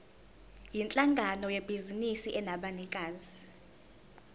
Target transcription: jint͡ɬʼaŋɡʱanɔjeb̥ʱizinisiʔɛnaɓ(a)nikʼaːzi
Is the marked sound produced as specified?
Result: yes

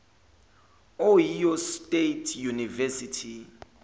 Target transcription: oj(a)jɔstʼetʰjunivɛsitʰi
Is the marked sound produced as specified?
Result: no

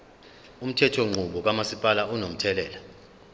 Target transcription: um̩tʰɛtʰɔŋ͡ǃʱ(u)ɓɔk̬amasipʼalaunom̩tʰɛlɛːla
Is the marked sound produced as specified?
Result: yes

